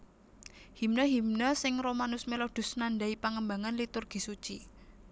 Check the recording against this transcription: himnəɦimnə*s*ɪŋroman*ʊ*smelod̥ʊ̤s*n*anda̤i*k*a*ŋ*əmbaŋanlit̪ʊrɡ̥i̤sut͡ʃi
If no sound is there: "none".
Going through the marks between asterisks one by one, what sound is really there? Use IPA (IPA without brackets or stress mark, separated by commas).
s, ʊ, n, p, ŋ